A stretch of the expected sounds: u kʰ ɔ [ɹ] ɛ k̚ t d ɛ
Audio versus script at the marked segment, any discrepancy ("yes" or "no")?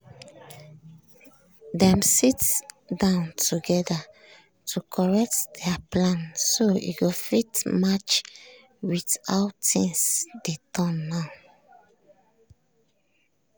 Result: no